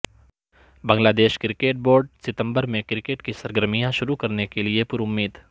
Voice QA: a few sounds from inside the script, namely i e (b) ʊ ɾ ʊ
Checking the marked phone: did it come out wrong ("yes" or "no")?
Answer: yes